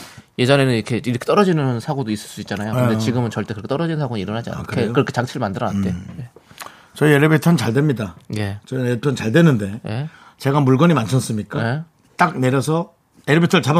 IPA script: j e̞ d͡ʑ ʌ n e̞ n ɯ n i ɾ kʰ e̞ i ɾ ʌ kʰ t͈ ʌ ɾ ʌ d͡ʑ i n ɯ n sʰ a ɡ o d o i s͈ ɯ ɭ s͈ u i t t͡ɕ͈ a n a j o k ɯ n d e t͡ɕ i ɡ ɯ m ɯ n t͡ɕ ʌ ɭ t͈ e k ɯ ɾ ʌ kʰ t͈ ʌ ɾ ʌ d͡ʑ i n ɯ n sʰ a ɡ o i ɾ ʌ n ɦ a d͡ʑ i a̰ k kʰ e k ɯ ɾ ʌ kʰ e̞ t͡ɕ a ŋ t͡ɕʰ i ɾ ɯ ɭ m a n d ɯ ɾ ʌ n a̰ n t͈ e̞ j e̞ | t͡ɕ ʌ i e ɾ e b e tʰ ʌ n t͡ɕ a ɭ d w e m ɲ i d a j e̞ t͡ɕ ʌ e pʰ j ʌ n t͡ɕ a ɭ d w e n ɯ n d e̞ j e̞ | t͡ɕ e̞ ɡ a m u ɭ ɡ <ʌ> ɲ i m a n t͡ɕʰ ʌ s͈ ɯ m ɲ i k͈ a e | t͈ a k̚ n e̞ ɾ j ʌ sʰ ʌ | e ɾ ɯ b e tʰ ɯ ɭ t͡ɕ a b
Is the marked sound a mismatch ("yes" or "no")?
no